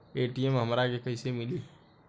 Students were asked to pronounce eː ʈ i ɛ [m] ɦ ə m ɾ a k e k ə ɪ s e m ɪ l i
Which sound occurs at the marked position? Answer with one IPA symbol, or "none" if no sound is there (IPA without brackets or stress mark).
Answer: m